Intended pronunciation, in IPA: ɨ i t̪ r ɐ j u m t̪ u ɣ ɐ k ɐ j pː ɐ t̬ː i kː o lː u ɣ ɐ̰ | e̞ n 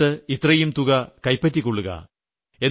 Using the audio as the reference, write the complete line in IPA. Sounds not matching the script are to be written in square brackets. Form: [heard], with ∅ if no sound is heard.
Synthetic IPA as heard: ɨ i t̪ r ɐ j u m t̪ u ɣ ɐ k ɐ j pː ɐ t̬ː i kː o [ɭː] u ɣ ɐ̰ | e̞ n